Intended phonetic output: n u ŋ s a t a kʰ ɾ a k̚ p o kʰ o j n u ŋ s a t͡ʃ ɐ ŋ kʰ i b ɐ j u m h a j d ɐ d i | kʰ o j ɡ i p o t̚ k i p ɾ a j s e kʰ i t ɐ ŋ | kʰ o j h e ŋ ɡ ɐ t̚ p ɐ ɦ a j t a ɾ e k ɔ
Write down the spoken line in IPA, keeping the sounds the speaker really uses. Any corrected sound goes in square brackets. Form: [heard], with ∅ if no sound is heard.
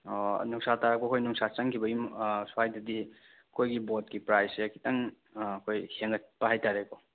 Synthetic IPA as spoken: n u ŋ s a t a [∅] ɾ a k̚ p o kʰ o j n u ŋ s a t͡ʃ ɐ ŋ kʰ i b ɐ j u m [s] a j d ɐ d i | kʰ o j ɡ i [b] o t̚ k i p ɾ a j s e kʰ i t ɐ ŋ | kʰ o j h e ŋ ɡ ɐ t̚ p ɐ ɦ a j t a ɾ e k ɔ